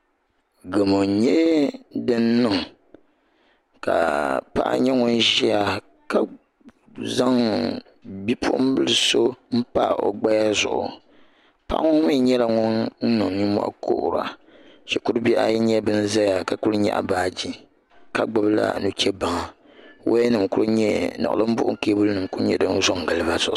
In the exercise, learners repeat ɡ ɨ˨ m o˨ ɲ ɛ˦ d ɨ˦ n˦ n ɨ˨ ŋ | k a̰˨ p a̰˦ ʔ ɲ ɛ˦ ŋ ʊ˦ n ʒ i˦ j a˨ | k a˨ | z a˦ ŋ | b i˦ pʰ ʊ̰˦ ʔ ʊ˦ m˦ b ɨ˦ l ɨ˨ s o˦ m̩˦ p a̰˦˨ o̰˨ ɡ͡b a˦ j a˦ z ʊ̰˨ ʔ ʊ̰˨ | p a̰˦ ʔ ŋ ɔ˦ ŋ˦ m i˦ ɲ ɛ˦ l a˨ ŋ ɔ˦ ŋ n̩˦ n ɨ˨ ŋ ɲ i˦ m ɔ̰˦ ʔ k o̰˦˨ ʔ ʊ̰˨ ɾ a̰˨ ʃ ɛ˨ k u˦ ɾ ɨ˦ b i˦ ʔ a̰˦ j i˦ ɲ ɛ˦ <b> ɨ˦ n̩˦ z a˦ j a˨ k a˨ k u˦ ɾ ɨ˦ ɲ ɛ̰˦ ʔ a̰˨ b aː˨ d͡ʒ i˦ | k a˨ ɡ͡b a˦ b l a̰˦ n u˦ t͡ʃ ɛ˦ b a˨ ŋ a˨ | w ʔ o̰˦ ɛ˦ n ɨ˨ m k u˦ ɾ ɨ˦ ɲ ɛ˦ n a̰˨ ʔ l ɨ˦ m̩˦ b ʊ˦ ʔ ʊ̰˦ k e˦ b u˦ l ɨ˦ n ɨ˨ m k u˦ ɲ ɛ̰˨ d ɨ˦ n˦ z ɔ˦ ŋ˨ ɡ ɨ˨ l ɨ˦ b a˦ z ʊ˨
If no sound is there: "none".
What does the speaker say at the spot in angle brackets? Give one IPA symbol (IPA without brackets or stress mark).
b